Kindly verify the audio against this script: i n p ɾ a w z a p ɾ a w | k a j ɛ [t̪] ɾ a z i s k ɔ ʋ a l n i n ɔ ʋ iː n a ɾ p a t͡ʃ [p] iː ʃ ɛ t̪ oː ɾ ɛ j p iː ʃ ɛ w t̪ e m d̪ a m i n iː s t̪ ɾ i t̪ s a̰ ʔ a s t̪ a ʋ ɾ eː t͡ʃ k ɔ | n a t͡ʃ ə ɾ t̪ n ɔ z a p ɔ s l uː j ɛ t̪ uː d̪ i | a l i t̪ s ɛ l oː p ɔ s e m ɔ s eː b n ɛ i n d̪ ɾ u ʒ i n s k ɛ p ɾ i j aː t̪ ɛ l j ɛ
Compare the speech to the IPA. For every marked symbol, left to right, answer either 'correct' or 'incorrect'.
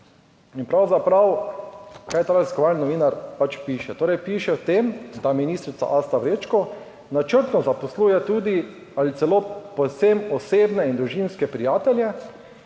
correct, correct

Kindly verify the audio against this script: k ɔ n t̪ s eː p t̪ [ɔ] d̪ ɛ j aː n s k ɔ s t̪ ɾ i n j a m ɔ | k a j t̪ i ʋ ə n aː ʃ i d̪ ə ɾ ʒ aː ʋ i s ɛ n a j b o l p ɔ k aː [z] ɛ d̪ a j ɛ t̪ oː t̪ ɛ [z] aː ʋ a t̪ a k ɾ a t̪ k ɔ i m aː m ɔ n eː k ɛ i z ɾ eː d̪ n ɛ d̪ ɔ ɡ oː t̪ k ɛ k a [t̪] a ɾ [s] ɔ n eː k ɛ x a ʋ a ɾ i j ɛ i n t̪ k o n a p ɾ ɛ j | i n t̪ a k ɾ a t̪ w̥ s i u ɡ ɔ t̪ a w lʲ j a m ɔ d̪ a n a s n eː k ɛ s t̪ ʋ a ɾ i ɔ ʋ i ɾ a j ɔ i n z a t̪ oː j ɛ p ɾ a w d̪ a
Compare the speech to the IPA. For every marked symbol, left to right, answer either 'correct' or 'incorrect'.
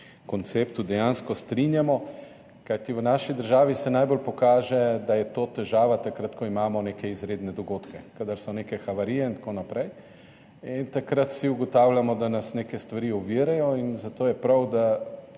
incorrect, incorrect, incorrect, incorrect, correct

